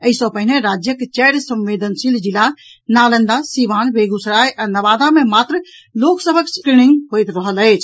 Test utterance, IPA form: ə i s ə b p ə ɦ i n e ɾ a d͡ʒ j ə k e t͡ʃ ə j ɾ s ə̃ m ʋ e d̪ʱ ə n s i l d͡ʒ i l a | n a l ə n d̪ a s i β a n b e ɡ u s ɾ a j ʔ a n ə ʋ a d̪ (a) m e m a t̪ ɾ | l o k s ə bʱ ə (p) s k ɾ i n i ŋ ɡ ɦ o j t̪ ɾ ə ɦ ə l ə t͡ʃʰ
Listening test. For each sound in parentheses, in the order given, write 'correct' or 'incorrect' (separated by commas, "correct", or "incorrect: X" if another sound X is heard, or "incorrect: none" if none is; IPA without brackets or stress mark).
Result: correct, incorrect: k